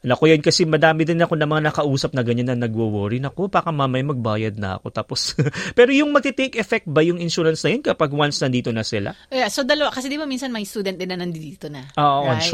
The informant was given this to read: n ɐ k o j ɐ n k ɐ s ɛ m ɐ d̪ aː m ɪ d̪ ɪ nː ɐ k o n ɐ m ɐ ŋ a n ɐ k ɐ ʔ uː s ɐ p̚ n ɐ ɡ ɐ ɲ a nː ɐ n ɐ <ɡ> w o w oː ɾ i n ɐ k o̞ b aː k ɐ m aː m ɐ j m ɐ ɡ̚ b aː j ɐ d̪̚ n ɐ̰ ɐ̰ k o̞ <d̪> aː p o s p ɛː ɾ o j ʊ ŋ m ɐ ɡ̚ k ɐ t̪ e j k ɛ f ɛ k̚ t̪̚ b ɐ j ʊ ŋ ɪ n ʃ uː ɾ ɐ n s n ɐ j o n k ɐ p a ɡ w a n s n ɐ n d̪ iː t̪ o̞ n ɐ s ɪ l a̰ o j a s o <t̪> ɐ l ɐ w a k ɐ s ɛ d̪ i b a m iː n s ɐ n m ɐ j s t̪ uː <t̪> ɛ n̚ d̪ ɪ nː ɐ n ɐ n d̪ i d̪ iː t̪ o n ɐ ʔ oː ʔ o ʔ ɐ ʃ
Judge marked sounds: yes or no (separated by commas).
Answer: yes, no, no, no